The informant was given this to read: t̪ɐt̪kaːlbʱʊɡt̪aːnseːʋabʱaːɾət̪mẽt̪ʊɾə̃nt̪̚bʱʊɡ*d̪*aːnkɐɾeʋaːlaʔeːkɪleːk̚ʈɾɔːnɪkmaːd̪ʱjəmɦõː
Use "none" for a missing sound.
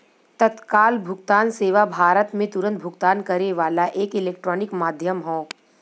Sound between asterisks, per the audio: t̪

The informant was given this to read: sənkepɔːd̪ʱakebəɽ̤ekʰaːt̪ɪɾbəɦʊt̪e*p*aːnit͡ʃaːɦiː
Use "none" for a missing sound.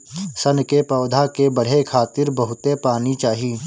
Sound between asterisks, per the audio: p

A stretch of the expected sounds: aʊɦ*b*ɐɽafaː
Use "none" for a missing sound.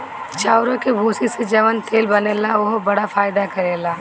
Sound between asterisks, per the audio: b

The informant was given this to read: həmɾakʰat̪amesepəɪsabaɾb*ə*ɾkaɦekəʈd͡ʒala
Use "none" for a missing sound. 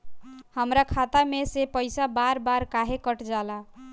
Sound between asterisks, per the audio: a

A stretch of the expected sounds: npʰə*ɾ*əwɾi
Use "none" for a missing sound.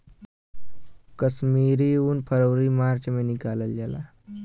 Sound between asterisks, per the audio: ɾ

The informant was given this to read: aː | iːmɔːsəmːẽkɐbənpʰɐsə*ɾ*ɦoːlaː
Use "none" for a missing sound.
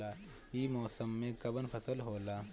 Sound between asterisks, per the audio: l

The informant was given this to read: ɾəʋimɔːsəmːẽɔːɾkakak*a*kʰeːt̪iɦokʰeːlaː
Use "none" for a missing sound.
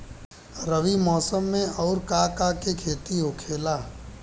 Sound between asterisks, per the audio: e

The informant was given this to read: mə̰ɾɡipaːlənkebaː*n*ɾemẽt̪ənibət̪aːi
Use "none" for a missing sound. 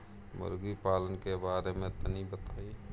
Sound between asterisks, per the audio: none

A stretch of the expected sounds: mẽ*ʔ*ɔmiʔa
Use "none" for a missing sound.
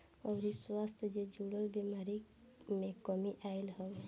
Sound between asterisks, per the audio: k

